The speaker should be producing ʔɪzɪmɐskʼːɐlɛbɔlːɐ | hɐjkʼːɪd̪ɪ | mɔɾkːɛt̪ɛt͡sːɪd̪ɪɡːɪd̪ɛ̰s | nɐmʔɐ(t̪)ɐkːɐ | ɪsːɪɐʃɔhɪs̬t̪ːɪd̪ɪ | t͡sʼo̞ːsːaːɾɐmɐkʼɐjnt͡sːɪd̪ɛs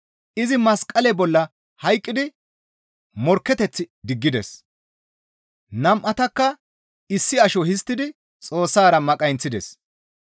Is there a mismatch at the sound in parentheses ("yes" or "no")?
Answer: no